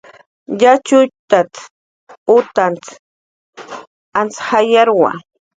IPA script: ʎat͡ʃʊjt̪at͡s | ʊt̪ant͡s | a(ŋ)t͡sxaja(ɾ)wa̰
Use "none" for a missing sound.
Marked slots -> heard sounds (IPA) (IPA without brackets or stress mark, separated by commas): n, ɾ